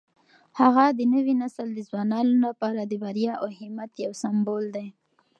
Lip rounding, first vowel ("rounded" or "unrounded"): unrounded